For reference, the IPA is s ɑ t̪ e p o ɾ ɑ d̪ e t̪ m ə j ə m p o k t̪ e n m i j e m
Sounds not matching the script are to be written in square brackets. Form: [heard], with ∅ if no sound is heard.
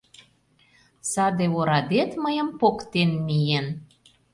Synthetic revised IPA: s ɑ [d̪] e [∅] o ɾ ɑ d̪ e t̪ m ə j ə m p o k t̪ e n m i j e [n]